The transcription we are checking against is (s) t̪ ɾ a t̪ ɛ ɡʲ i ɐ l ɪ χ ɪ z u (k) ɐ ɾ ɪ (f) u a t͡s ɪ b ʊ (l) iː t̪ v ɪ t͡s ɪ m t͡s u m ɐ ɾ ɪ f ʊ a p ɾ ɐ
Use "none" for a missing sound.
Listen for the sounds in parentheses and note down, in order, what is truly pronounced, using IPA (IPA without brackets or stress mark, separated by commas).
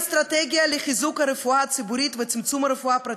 s, k, f, ɾ